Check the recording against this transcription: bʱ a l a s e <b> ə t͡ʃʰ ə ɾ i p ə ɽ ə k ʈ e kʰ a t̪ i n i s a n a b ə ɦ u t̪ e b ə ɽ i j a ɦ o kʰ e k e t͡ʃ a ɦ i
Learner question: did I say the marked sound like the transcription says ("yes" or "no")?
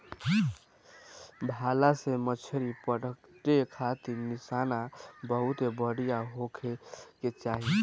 no